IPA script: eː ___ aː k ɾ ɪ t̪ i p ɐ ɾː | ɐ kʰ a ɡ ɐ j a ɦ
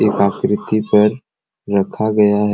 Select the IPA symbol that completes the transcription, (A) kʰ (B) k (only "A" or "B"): B